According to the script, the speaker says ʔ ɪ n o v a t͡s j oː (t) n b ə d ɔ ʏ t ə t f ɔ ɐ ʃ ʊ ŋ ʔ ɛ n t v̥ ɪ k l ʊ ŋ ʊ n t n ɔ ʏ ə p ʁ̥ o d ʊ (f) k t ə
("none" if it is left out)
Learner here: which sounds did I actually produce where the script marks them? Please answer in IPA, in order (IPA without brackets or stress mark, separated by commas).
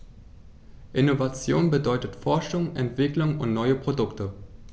none, none